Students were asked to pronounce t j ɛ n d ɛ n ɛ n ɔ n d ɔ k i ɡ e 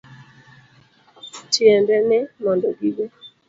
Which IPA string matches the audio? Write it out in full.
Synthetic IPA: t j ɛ n d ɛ n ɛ m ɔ n d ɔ ɡ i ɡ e